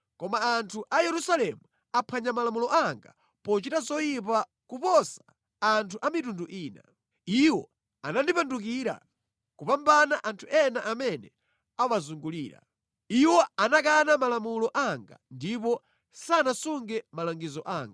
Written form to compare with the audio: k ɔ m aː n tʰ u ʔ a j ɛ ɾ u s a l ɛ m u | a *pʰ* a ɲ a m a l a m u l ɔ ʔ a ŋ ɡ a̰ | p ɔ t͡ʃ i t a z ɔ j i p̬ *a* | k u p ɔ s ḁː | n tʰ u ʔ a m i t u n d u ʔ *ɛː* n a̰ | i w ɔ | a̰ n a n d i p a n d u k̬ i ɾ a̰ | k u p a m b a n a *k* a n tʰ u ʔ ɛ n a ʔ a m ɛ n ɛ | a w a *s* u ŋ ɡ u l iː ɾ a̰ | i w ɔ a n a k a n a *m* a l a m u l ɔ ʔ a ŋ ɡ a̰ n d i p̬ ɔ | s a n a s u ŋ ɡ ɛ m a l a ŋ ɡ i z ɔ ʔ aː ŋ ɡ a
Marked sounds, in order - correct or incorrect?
correct, correct, incorrect: iː, incorrect: ʔ, incorrect: z, correct

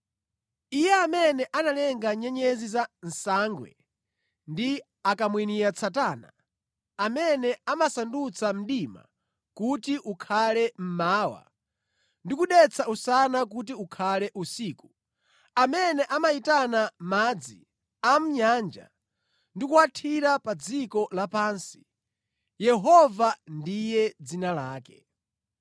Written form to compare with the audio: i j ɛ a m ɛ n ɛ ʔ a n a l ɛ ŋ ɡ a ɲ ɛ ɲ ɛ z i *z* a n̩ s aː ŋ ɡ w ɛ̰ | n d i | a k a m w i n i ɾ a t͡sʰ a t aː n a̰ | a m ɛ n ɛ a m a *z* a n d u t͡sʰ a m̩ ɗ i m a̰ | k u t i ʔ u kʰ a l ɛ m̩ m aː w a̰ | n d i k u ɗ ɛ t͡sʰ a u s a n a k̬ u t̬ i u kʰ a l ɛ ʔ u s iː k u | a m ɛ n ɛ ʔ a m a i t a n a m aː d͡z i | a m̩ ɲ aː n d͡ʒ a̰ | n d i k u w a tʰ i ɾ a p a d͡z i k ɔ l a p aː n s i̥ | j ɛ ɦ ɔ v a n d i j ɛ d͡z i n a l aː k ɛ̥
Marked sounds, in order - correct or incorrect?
correct, incorrect: s

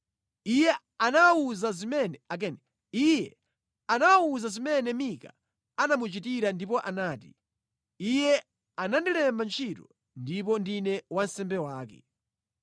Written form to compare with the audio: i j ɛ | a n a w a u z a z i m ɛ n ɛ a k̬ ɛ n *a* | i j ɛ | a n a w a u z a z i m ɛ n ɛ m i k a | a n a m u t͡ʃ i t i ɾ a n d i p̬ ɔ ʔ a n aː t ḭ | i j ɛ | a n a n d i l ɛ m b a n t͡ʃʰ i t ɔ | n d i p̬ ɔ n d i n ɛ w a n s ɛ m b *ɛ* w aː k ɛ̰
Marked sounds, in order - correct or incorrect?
incorrect: ɛ, correct

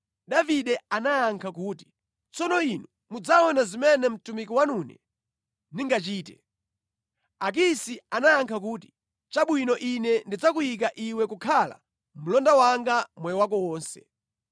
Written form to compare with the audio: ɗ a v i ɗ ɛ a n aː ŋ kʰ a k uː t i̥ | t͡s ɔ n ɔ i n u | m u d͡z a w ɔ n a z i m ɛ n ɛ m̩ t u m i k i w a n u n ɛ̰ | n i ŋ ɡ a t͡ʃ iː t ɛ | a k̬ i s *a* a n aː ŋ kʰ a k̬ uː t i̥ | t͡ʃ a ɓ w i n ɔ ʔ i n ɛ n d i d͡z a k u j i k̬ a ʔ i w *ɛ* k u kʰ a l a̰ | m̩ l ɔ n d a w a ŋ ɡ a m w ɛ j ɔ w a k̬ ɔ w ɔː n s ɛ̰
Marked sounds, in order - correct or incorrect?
incorrect: i, correct

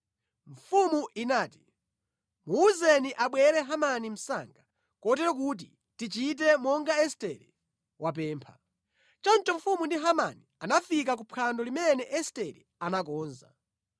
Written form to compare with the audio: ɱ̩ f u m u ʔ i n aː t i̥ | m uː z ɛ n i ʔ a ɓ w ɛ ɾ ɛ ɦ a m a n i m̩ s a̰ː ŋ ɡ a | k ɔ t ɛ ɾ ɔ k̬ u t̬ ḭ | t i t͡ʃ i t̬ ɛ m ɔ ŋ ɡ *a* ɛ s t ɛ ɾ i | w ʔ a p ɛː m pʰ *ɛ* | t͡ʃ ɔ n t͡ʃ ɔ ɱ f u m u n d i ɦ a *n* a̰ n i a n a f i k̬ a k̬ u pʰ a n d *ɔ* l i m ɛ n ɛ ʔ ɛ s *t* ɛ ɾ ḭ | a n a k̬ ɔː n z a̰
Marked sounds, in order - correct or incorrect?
correct, incorrect: a, incorrect: m, correct, correct

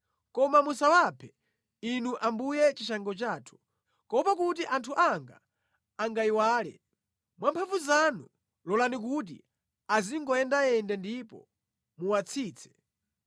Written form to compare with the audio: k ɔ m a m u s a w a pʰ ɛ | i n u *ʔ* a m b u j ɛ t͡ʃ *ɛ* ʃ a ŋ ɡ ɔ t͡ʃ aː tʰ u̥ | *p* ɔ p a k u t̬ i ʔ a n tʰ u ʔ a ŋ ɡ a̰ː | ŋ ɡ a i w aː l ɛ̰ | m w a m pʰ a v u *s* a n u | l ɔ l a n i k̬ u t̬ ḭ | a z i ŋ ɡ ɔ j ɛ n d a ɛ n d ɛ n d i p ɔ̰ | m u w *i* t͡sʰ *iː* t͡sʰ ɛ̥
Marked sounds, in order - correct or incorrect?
correct, incorrect: i, incorrect: k, incorrect: z, incorrect: a, correct

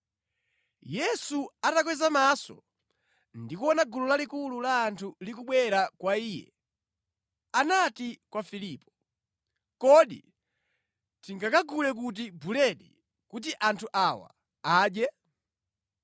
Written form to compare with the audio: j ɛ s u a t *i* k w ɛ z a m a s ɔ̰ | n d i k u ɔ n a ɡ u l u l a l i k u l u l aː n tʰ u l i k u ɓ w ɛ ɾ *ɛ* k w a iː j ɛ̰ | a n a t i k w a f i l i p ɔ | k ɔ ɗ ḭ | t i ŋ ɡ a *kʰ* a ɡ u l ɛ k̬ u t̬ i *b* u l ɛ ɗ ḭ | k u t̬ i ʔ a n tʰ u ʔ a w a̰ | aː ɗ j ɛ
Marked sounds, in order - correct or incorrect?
incorrect: a, incorrect: a, incorrect: k, correct

